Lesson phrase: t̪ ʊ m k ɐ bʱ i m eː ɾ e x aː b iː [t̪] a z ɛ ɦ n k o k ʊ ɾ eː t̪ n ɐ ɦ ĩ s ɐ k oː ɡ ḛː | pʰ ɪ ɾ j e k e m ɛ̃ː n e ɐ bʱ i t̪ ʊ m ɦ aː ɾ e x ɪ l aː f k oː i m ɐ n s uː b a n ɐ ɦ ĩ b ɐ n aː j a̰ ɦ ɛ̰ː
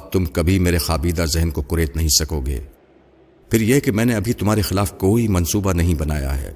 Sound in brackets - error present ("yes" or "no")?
yes